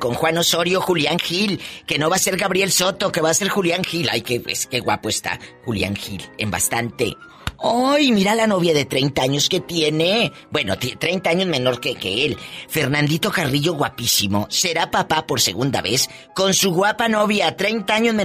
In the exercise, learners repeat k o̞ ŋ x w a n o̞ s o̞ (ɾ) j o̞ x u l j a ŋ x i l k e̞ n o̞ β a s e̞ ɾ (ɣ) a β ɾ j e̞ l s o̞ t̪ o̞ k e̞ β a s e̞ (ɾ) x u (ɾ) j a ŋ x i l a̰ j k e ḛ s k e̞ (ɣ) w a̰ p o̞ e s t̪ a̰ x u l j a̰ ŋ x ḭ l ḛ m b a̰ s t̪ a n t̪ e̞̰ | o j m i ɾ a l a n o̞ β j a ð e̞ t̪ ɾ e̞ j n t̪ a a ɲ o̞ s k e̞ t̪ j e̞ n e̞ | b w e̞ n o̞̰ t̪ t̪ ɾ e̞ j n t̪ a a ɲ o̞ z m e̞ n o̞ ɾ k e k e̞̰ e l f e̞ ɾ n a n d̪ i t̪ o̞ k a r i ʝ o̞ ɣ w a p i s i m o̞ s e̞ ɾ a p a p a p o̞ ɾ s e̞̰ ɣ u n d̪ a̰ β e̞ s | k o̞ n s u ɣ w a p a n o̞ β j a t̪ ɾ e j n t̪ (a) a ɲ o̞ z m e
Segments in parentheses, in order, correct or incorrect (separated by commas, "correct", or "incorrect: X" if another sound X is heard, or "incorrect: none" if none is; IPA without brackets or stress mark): correct, correct, correct, incorrect: l, correct, correct